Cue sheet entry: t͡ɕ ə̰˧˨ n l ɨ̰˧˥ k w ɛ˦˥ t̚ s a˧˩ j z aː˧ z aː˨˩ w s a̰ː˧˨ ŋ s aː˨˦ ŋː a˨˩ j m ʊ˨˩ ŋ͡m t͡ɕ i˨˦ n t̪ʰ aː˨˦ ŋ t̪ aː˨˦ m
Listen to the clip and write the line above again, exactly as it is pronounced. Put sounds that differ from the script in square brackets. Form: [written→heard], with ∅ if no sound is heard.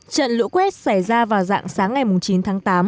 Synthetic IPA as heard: t͡ɕ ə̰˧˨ n l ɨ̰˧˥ k w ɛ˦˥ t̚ s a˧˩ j z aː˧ [z→v] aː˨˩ w [s→z] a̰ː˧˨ ŋ s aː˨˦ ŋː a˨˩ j m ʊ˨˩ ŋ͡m t͡ɕ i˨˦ n t̪ʰ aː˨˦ ŋ t̪ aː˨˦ m